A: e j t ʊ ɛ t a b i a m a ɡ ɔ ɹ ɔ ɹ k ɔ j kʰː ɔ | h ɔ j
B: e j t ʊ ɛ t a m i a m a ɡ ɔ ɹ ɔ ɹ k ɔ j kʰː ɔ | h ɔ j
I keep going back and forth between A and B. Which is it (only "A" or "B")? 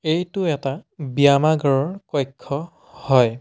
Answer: A